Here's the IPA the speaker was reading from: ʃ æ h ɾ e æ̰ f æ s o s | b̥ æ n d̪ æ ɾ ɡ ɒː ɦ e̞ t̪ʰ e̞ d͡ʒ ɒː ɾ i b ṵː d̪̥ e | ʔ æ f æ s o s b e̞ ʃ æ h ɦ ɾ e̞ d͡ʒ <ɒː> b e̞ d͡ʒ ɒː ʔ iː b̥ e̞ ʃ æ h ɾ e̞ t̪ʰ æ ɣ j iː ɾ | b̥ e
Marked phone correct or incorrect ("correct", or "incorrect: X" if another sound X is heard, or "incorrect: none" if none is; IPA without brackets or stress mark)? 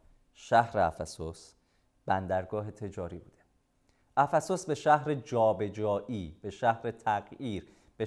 correct